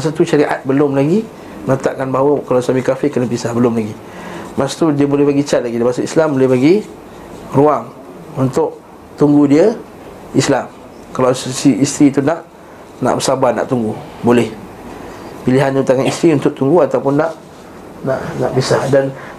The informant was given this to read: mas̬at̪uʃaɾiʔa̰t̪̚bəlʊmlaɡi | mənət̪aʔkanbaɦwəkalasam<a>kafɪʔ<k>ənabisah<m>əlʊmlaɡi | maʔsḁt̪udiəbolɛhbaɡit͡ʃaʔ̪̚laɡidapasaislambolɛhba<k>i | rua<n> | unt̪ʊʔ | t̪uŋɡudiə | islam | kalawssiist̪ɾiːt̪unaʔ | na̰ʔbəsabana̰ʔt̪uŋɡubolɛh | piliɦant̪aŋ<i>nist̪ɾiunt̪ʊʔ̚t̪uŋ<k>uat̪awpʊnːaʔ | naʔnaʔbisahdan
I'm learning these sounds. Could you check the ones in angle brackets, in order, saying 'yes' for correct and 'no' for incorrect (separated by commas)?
no, yes, no, no, no, no, no